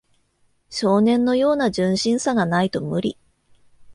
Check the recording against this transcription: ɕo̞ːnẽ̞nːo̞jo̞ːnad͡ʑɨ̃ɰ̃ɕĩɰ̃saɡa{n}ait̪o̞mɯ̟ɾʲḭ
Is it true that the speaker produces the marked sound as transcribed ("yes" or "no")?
yes